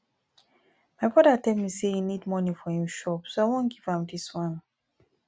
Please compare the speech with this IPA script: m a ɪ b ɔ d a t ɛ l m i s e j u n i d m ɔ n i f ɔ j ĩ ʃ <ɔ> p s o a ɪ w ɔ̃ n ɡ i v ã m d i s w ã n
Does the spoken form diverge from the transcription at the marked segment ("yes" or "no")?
no